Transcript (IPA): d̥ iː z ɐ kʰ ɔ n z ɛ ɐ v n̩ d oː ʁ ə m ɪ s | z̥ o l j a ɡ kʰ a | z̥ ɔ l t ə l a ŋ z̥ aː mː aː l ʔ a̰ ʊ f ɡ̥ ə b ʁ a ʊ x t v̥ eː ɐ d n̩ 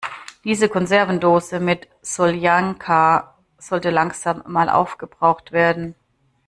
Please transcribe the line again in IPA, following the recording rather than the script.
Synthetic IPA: d̥ iː z ə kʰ ɔ n z ɛ ɐ v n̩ d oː z ə m ɪ t | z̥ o l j a ŋ kʰ a | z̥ ɔ l t ə l a ŋ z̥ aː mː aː l ʔ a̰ ʊ f ɡ̥ ə b ʁ a ʊ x t v̥ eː ɐ d n̩

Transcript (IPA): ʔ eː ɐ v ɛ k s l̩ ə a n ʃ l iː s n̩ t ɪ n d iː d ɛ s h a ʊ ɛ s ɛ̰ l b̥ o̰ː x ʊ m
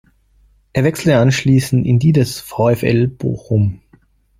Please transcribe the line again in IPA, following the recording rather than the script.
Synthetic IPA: ʔ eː ɐ v ɛ k s l̩ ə a n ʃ l iː s n̩ t ɪ n d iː d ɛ s f a ʊ ɛ f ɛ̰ l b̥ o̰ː x ʊ m

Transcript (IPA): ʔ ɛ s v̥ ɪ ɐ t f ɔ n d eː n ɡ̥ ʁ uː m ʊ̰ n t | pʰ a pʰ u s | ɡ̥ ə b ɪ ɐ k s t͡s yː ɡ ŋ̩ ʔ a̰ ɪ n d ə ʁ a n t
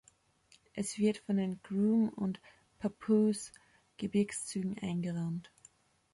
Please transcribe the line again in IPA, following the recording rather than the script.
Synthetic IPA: ʔ ɛ s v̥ ɪ ɐ t f ɔ n d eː n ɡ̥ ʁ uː m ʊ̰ n t | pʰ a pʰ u s | ɡ̥ ə b ɪ ɐ k s t͡s yː ɡ ŋ̩ ʔ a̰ ɪ n ɡ ə ʁ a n t

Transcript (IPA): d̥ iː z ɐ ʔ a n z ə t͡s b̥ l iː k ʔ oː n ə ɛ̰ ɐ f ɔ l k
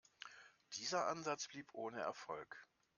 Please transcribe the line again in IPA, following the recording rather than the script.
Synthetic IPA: d̥ iː z ɐ ʔ a n z a t͡s b̥ l iː p ʔ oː n ə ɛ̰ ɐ f ɔ l k

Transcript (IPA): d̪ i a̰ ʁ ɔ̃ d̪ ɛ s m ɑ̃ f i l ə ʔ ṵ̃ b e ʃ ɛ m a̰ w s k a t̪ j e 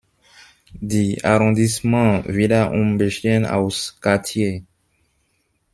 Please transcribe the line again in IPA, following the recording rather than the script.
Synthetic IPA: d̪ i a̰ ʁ ɔ̃ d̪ i s m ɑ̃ v i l a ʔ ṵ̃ b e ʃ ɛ n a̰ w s k a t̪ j e

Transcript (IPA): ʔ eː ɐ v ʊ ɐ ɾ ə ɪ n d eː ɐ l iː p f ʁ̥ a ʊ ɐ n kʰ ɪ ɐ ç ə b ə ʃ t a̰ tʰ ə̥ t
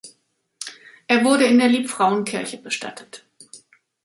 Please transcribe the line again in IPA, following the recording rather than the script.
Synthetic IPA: ʔ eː ɐ v ʊ ɐ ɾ ə ɪ n d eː ɐ l iː p f ʁ̥ a ʊ ə n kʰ ɪ ɐ ç ə b ə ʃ t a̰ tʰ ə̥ t

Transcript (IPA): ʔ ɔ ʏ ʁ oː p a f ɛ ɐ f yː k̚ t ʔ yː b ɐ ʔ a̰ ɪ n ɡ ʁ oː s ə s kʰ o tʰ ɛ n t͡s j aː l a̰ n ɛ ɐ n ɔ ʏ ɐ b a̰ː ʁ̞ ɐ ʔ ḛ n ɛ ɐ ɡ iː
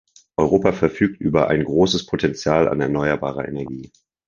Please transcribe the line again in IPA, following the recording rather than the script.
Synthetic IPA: ʔ ɔ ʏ ʁ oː p a f ɛ ɐ f yː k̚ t ʔ yː b ɐ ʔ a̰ ɪ n ɡ ʁ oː s ə s pʰ o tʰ ɛ n t͡s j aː l a̰ n ɛ ɐ n ɔ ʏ ɐ b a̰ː ʁ̞ ɐ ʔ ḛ n ɛ ɐ ɡ iː

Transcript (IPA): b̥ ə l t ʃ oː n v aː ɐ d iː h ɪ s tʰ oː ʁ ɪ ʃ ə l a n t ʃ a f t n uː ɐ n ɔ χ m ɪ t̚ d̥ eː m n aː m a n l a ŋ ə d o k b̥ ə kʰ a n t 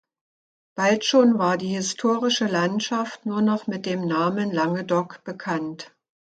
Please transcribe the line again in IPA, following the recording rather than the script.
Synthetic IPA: b̥ a l t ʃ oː n v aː ɐ d iː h ɪ s tʰ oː ʁ ɪ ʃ ə l a n t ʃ a f t n uː ɐ n ɔ χ m ɪ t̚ d̥ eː m n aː m ə n l a ŋ ə d ɔ k b̥ ə kʰ a n t

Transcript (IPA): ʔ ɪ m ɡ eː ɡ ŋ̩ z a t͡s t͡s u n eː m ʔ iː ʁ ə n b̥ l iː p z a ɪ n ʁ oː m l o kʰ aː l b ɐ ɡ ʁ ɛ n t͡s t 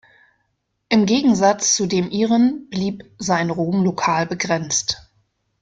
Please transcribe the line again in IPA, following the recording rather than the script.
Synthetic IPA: ʔ ɪ m ɡ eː ɡ ŋ̩ z a t͡s t͡s u d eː m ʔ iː ʁ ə n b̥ l iː p z a ɪ n ʁ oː m l o kʰ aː l b ə ɡ ʁ ɛ n t͡s t

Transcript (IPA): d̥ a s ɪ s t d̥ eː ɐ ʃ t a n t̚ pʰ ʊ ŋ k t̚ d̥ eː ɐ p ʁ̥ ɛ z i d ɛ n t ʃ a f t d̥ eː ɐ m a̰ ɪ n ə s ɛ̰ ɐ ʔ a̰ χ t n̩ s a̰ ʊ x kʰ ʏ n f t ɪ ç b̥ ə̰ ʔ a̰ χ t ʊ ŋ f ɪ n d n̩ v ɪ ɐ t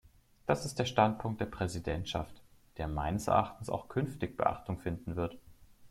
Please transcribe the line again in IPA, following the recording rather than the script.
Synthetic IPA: d̥ a s ɪ s t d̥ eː ɐ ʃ t a n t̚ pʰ ʊ ŋ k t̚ d̥ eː ɐ p ʁ̥ ɛ z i d ɛ n t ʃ a f t d̥ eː ɐ m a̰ ɪ n ə s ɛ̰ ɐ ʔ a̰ χ t n̩ s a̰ ʊ x kʰ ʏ n f t ɪ ç b̥ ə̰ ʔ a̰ χ t ʊ ŋ f ɪ n d n̩ v ɪ ɐ t

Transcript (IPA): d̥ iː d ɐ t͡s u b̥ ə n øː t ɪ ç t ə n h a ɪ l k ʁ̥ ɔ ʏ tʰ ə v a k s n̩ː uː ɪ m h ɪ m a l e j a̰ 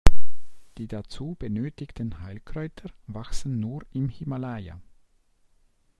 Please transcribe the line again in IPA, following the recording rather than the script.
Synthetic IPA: d̥ iː d a t͡s uː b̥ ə n øː t ɪ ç t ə n h a ɪ l k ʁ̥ ɔ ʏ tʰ ə v a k s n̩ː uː ɪ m h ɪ m a l a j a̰

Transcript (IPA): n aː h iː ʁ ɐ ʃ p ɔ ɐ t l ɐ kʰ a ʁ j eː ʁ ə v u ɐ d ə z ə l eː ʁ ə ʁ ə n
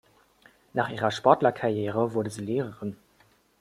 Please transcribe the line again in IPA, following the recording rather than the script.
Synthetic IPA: n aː χ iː ʁ ɐ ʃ p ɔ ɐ t l ɐ kʰ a ʁ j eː ʁ ə v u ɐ d ə z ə l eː ʁ ə ʁ ə n

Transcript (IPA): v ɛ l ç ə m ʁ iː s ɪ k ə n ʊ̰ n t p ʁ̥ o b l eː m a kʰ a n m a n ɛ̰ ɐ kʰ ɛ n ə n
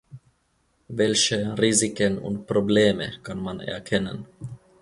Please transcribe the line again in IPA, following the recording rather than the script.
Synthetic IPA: v ɛ l ç ə ʁ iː z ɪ k ə n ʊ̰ n t p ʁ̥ o b l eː m ə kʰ a n m a n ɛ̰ ɐ kʰ ɛ n ə n

